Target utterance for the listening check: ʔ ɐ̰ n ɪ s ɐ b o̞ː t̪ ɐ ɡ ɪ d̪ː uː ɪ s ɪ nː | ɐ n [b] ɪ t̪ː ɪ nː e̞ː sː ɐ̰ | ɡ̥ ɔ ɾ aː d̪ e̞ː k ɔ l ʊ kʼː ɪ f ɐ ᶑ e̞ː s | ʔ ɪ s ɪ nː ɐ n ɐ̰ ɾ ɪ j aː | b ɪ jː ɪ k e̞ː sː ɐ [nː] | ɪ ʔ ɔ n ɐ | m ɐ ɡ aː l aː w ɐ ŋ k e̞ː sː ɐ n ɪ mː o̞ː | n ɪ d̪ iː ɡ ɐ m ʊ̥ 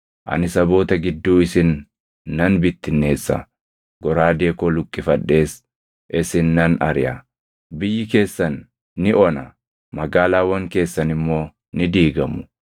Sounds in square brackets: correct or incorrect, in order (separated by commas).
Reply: correct, correct